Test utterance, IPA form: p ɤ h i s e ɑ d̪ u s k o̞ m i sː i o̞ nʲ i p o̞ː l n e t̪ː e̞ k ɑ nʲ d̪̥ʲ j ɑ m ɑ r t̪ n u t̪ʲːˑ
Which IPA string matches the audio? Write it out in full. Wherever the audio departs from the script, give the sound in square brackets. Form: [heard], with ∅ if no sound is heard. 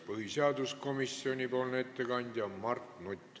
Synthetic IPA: p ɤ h i s e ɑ d̪ u s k o̞ m i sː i o̞ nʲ i p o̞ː l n e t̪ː e̞ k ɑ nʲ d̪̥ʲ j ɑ m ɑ r t̪ n u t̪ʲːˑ